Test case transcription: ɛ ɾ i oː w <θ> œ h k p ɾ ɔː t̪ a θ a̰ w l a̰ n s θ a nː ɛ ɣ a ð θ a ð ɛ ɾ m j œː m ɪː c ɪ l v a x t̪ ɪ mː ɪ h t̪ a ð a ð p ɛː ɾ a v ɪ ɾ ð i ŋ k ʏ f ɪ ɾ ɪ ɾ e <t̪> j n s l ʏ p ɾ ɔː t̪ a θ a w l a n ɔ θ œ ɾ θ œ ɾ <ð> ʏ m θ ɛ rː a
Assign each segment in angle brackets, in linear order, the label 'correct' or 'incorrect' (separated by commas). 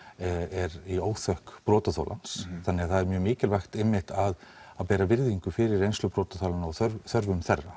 correct, incorrect, incorrect